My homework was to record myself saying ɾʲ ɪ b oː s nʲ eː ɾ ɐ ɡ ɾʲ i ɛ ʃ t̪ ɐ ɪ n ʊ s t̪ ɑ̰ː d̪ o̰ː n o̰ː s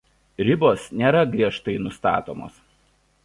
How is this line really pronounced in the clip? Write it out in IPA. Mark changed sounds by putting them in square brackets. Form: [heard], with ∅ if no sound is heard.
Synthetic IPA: ɾʲ ɪ b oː s nʲ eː ɾ ɐ ɡ ɾʲ i ɛ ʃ t̪ ɐ ɪ n ʊ s t̪ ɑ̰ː [t̪] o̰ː [m] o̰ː s